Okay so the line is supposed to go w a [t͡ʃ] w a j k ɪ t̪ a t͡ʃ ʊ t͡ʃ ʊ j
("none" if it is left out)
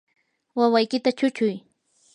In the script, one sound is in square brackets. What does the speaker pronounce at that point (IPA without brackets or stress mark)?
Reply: none